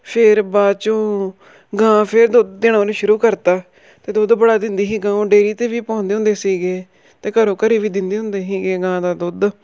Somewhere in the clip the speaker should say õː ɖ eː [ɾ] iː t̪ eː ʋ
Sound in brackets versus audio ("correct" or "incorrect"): correct